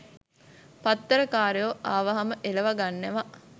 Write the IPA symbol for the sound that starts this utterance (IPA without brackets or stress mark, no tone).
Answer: p